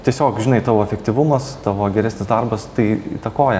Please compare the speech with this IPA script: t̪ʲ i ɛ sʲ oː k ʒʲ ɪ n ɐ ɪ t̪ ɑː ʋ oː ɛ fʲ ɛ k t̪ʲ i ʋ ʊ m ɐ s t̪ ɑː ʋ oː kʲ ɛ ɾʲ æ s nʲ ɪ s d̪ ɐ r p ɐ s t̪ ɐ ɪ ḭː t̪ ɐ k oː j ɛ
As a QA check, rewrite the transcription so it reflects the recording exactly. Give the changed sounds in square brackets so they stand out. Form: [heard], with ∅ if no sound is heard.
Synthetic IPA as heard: t̪ʲ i ɛ sʲ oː k ʒʲ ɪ n ɐ ɪ t̪ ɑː ʋ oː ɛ fʲ ɛ k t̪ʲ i ʋ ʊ m ɐ s t̪ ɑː ʋ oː [ɡʲ] ɛ ɾʲ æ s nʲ ɪ s d̪ ɐ r [b] ɐ s t̪ ɐ ɪ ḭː t̪ ɐ k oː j ɛ

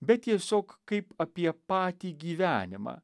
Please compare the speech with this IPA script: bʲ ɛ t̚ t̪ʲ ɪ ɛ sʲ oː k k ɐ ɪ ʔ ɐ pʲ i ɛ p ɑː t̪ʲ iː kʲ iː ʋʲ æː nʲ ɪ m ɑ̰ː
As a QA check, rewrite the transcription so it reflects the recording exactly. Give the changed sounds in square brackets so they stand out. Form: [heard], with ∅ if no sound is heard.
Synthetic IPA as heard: bʲ ɛ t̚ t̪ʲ [i] ɛ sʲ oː k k ɐ ɪ [p] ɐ pʲ i ɛ p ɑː t̪ʲ iː [ɡʲ] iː ʋʲ æː nʲ ɪ m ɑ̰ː

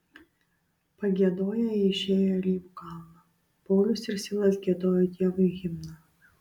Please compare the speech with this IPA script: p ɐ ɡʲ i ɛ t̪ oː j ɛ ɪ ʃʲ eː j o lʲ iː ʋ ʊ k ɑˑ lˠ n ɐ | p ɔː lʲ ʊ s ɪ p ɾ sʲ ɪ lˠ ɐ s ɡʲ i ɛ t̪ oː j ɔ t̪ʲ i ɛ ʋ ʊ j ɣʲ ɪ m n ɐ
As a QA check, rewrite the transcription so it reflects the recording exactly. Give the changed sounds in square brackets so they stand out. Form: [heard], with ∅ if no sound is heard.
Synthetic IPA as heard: p ɐ ɡʲ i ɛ [d̪] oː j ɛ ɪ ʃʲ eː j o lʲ iː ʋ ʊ k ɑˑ lˠ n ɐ | p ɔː lʲ ʊ s ɪ [∅] ɾ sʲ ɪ lˠ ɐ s ɡʲ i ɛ [d̪] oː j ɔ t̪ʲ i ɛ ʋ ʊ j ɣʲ ɪ m n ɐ

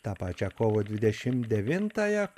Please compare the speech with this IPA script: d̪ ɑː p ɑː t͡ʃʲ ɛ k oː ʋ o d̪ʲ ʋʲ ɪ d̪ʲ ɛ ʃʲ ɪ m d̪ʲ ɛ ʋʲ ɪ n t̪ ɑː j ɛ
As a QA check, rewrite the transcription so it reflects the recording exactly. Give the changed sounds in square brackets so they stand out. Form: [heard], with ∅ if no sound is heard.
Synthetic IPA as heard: [t̪] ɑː p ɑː t͡ʃʲ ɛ k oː ʋ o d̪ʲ ʋʲ ɪ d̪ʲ ɛ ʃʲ ɪ m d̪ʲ ɛ ʋʲ ɪ n t̪ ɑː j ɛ

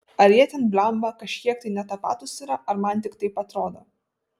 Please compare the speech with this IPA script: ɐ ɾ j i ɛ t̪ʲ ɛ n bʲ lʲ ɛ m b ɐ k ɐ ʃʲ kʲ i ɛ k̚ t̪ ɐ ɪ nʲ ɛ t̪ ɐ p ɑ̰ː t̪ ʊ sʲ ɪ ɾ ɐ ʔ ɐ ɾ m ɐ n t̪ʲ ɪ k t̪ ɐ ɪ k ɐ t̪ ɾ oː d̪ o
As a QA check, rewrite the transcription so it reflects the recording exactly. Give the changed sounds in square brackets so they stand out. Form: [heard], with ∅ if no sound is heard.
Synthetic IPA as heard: ɐ ɾ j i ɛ t̪ʲ ɛ n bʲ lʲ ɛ m b ɐ k ɐ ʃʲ kʲ i ɛ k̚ t̪ ɐ ɪ nʲ ɛ t̪ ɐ p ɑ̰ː t̪ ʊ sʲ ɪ ɾ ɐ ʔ ɐ ɾ m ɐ n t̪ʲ ɪ k t̪ ɐ ɪ [p] ɐ t̪ ɾ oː d̪ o

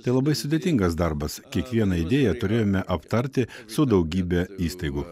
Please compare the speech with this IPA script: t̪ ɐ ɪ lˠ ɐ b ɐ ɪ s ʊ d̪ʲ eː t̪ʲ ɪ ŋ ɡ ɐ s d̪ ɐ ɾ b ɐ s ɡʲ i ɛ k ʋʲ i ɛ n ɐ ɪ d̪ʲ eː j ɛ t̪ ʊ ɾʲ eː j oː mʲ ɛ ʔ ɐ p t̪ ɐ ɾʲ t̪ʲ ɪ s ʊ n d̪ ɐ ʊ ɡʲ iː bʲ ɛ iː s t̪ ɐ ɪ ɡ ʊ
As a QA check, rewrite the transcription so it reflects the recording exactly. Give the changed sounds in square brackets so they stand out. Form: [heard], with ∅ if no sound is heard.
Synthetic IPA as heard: t̪ ɐ ɪ lˠ ɐ b ɐ ɪ s ʊ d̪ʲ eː t̪ʲ ɪ ŋ ɡ ɐ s d̪ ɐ ɾ b ɐ s [kʲ] i ɛ k ʋʲ i ɛ n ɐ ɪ d̪ʲ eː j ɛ t̪ ʊ ɾʲ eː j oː mʲ ɛ ʔ ɐ p t̪ ɐ ɾʲ t̪ʲ ɪ s ʊ [∅] d̪ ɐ ʊ ɡʲ iː bʲ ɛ iː s t̪ ɐ ɪ ɡ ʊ

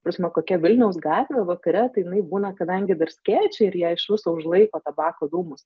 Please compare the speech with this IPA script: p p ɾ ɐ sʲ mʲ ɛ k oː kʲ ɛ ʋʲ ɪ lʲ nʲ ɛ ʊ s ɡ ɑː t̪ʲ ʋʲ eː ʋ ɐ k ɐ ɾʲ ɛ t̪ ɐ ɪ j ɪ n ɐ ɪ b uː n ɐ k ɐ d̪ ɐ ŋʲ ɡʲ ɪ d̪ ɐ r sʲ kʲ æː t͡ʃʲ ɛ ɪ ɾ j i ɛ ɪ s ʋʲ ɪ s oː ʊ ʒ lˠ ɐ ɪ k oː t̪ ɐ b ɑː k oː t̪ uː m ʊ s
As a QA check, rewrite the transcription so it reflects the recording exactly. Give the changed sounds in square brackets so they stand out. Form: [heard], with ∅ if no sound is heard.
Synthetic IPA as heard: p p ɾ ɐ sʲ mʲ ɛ k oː kʲ ɛ ʋʲ ɪ lʲ nʲ ɛ ʊ s ɡ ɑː t̪ʲ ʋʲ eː ʋ ɐ k ɐ ɾʲ ɛ t̪ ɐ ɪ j ɪ n ɐ ɪ b uː n ɐ k ɐ d̪ ɐ ŋʲ ɡʲ ɪ d̪ ɐ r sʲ kʲ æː t͡ʃʲ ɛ ɪ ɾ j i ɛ ɪ [ʃ] ʋʲ ɪ s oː ʊ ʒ lˠ ɐ ɪ k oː t̪ ɐ b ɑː k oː [d̪] uː m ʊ s

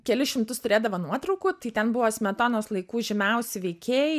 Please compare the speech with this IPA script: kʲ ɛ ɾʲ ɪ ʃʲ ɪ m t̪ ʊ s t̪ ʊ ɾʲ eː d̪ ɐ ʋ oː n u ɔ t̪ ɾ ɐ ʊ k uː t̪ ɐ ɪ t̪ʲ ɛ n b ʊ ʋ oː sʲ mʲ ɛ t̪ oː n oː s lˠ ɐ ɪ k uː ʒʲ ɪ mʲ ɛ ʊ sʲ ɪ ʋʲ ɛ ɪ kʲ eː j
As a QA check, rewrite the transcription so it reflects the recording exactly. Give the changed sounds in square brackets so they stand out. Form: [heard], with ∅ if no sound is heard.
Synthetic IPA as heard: kʲ ɛ [lʲ] ɪ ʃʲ ɪ m t̪ ʊ s t̪ ʊ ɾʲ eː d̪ ɐ ʋ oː n u ɔ t̪ ɾ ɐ ʊ k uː t̪ ɐ ɪ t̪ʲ ɛ n b ʊ ʋ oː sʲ mʲ ɛ t̪ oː n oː s lˠ ɐ ɪ k uː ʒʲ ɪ mʲ ɛ ʊ sʲ ɪ ʋʲ ɛ ɪ kʲ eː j

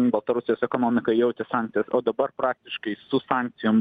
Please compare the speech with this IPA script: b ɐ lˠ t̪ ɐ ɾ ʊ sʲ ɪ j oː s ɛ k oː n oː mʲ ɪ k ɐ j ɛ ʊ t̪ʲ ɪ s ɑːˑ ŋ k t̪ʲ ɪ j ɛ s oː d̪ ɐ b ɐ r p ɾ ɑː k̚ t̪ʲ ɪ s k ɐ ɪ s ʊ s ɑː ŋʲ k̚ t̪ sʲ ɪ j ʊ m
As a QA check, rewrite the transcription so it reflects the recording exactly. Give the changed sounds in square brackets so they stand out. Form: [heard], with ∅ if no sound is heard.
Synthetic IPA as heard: b ɐ lˠ t̪ ɐ ɾ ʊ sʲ ɪ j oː s ɛ k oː n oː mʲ ɪ k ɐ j ɛ ʊ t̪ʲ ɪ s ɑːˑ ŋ k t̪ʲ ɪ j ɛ s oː d̪ ɐ b ɐ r p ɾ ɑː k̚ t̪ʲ ɪ [ʃ] k ɐ ɪ s ʊ s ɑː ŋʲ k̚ t̪ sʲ ɪ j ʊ m

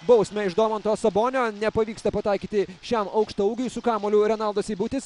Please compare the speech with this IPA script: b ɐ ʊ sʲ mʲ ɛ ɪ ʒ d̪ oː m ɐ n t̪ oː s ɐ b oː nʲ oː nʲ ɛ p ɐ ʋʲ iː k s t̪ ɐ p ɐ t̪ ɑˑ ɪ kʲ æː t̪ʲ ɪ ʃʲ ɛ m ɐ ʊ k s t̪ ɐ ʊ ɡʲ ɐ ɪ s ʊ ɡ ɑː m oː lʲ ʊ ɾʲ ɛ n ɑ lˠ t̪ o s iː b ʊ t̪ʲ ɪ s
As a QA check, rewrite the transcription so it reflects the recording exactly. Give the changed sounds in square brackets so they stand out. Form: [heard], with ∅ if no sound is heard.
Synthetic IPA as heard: b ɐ ʊ sʲ mʲ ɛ ɪ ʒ d̪ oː m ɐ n t̪ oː s ɐ b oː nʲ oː nʲ ɛ p ɐ ʋʲ iː k s t̪ ɐ p ɐ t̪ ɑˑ ɪ kʲ [iː] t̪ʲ ɪ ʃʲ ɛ m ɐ ʊ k [ʃ] t̪ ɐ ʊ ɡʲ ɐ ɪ s ʊ [k] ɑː m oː lʲ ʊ ɾʲ ɛ n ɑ lˠ [d̪] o s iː b ʊ t̪ʲ ɪ s

